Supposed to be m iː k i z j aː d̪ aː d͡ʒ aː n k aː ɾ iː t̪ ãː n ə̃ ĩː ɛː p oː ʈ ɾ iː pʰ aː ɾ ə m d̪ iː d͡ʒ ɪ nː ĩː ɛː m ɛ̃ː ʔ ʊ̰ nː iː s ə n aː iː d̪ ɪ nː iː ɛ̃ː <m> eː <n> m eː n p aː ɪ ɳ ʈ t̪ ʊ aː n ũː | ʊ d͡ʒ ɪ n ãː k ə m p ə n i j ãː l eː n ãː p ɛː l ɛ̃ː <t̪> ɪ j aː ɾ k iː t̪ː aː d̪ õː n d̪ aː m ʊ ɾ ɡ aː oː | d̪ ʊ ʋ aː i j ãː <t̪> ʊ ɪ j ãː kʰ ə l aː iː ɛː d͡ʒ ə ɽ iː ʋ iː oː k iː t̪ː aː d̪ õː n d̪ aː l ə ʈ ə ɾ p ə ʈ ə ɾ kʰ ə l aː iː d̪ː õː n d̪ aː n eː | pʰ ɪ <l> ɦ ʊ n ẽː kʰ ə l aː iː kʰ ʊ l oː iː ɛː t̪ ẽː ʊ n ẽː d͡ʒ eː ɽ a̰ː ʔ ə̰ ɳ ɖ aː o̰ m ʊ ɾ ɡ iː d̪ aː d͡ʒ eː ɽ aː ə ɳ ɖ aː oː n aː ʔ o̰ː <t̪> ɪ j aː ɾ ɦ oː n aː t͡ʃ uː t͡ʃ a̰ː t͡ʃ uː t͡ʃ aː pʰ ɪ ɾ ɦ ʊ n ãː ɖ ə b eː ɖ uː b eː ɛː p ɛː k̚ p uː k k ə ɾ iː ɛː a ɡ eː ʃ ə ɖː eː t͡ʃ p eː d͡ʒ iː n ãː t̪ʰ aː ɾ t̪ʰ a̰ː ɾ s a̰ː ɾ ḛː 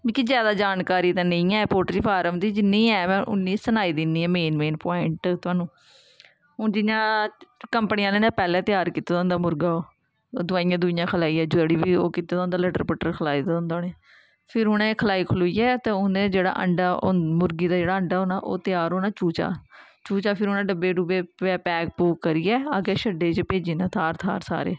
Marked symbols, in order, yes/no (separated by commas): yes, yes, yes, no, no, yes